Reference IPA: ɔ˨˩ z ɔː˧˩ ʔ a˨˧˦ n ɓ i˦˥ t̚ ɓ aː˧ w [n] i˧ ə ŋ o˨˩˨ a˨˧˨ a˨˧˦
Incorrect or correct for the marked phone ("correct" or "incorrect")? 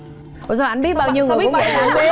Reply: incorrect